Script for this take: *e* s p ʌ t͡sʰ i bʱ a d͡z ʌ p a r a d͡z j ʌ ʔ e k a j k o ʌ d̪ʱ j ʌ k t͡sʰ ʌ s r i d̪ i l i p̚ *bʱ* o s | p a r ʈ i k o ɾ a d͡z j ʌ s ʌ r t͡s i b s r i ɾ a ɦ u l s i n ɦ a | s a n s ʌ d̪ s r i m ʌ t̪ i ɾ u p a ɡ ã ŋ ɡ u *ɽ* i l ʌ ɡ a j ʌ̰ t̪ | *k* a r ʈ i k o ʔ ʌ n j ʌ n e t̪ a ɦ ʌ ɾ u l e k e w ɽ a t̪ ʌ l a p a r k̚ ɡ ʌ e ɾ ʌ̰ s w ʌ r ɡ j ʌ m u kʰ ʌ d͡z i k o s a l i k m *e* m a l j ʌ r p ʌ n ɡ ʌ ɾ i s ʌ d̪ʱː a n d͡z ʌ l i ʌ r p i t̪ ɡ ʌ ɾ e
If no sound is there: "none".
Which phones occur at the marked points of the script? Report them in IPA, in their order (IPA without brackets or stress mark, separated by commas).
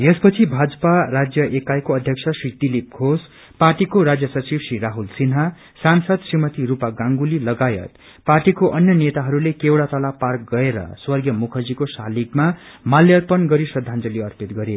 e, ɡʱ, l, p, a